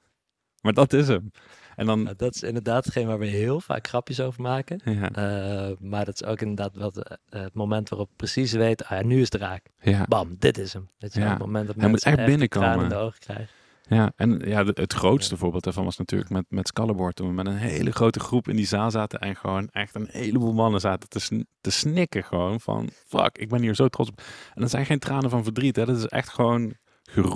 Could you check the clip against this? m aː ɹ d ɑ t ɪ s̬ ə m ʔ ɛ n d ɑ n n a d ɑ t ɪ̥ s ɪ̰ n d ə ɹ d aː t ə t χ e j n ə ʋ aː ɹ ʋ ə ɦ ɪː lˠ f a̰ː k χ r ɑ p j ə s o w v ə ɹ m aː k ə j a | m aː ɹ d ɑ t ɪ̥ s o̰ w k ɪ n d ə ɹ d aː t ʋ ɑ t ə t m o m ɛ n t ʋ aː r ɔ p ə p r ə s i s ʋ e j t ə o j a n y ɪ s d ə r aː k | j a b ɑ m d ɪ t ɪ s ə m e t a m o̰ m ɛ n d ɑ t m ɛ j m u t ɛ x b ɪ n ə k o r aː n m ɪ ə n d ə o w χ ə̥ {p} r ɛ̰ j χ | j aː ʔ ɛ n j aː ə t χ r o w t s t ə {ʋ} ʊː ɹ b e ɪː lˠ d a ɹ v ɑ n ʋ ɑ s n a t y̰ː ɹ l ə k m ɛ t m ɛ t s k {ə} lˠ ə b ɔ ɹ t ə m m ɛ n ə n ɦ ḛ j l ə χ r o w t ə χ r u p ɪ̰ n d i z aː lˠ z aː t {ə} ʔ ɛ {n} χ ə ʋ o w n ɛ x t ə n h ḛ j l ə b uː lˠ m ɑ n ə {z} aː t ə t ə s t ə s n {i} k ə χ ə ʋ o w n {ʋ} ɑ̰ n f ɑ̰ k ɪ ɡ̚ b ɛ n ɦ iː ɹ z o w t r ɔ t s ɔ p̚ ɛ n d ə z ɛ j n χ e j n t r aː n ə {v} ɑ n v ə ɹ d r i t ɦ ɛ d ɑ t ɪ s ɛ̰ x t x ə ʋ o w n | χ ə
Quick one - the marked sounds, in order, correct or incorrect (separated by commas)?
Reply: incorrect, incorrect, incorrect, correct, correct, correct, incorrect, incorrect, correct